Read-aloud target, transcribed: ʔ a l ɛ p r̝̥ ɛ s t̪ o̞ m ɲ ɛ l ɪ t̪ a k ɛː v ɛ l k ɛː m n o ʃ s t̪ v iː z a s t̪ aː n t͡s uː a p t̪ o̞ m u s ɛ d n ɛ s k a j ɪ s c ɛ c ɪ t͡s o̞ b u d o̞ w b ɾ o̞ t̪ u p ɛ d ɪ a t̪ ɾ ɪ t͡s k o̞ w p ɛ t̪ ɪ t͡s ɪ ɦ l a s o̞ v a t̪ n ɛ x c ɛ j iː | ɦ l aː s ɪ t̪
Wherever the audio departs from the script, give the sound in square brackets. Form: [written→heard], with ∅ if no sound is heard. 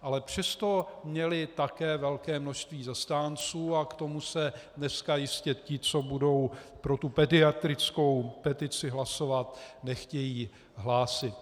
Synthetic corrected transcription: ʔ a l ɛ p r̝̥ ɛ s t̪ o̞ m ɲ ɛ l ɪ t̪ a k ɛː v ɛ l k ɛː m n o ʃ s t̪ v iː z a s t̪ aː n t͡s uː a [p→k] t̪ o̞ m u s ɛ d n ɛ s k a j ɪ s c ɛ c ɪ t͡s o̞ b u d o̞ w [b→p] ɾ o̞ t̪ u p ɛ d ɪ a t̪ ɾ ɪ t͡s k o̞ w p ɛ t̪ ɪ t͡s ɪ ɦ l a s o̞ v a t̪ n ɛ x c ɛ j iː | ɦ l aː s ɪ t̪